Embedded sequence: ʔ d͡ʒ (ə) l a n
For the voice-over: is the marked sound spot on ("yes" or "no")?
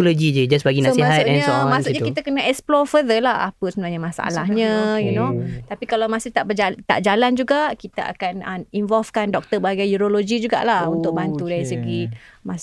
no